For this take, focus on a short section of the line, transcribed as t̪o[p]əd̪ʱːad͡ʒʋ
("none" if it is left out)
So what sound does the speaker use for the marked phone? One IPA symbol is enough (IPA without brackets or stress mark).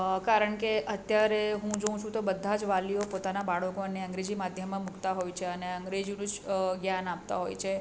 b